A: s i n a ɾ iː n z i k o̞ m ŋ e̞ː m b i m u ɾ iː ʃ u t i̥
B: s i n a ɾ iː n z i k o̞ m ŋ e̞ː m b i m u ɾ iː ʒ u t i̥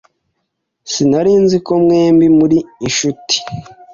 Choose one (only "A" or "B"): A